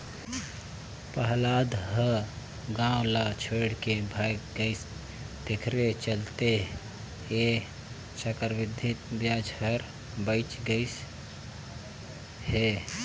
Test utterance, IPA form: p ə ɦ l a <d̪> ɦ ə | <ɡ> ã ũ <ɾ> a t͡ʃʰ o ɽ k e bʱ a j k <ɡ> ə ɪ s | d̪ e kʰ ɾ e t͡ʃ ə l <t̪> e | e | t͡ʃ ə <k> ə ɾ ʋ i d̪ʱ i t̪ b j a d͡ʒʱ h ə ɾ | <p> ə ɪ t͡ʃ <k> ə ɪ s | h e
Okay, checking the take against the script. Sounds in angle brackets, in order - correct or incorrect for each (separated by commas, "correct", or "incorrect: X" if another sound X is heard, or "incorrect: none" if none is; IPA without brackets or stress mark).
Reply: correct, correct, incorrect: l, correct, correct, correct, incorrect: b, incorrect: ɡ